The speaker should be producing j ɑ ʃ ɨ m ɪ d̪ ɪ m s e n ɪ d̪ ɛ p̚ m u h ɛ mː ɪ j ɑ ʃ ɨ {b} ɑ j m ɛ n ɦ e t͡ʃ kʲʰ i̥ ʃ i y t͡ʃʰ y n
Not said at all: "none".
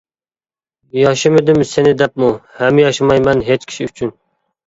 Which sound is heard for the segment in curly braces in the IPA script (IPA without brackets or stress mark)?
m